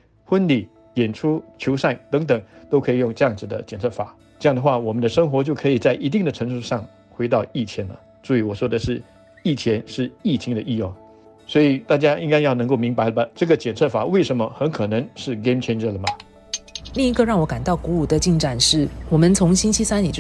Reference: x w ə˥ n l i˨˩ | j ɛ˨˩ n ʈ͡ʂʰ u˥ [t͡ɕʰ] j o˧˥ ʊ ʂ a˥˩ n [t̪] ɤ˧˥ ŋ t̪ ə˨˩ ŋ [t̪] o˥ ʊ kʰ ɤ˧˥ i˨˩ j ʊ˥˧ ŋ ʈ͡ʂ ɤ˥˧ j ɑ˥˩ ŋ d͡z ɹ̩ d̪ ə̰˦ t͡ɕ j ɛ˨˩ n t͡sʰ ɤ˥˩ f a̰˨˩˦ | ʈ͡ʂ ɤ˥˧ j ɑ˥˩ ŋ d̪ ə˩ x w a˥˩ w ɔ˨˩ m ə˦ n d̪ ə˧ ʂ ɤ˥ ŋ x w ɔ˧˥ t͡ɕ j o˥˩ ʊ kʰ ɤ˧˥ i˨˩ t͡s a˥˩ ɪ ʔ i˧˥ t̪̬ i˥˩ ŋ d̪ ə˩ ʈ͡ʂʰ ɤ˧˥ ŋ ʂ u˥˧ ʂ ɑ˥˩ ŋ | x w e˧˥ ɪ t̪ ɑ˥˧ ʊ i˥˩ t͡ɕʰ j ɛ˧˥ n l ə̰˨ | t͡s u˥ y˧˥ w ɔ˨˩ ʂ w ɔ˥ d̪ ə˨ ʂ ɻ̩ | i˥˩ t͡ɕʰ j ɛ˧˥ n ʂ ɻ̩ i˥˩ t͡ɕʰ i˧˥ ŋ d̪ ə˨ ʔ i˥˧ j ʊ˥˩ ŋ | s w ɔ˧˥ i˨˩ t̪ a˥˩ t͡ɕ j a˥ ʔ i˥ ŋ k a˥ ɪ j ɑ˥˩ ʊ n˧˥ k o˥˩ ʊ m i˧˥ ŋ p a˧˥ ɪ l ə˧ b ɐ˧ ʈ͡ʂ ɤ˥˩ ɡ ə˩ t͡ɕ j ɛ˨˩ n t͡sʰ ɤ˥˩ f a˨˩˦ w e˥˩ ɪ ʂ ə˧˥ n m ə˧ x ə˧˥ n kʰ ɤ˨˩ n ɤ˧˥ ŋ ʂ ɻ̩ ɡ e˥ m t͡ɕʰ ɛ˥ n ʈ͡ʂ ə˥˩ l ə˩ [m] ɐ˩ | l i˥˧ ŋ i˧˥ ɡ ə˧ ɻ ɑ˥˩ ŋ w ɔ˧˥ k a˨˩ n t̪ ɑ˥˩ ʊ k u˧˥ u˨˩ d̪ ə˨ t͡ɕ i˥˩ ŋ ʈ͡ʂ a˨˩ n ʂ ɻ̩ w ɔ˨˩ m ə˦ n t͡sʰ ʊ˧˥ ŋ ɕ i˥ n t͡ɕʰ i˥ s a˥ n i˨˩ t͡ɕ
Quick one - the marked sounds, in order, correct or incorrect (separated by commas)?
correct, correct, correct, correct